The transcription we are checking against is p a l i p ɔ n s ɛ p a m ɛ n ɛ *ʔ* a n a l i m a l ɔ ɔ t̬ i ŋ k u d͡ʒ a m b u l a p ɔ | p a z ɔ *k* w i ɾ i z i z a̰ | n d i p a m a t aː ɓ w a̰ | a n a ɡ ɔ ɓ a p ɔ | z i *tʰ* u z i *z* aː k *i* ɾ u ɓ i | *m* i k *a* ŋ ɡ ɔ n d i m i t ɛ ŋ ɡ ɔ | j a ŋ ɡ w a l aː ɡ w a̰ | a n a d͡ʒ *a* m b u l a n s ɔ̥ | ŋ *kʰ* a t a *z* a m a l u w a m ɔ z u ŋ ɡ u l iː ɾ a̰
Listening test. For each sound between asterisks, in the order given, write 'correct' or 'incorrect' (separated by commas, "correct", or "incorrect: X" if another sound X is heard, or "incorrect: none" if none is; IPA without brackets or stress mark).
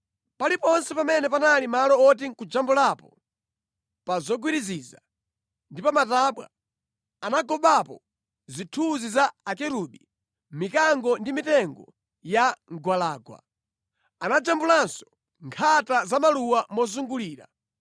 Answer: incorrect: p, incorrect: ɡ, correct, correct, incorrect: ɛ, correct, correct, correct, correct, correct